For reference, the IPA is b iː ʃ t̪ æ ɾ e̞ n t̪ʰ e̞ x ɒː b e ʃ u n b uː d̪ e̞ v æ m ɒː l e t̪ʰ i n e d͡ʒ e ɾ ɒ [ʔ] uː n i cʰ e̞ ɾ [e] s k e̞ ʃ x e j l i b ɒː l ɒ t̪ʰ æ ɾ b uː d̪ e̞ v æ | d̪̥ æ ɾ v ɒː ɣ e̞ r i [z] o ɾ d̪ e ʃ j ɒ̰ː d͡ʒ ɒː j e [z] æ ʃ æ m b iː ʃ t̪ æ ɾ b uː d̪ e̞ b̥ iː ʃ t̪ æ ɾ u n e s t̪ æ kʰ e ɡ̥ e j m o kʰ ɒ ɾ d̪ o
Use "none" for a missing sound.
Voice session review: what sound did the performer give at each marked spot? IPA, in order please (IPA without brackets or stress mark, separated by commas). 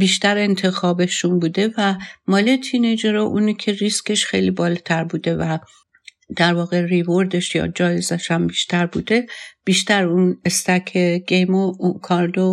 ʔ, i, v, z